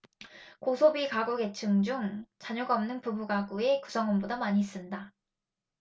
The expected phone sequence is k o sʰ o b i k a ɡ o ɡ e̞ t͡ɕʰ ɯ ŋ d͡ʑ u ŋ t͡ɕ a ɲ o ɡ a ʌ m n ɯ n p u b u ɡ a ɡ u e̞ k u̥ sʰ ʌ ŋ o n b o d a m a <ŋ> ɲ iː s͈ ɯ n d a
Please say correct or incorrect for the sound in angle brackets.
incorrect